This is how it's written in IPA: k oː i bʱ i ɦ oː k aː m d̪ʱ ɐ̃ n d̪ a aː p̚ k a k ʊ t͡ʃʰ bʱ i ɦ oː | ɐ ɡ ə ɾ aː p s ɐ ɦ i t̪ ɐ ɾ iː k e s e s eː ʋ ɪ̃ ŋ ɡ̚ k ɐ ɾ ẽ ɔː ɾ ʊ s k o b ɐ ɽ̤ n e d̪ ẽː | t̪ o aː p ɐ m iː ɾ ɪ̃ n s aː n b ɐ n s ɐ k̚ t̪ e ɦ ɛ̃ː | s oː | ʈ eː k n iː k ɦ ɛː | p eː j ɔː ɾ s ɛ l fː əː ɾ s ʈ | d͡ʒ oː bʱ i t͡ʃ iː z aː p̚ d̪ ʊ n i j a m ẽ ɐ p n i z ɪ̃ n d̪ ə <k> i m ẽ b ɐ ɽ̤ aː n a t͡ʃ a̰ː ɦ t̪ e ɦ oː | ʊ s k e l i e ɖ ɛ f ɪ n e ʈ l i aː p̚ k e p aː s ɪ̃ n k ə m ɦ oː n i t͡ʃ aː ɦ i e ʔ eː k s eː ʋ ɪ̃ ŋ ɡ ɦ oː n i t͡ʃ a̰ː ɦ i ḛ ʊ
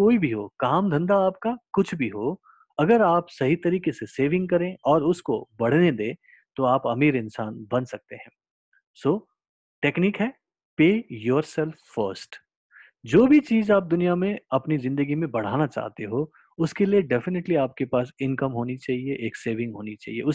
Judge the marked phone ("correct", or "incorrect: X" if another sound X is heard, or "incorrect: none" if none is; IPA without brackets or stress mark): incorrect: ɡ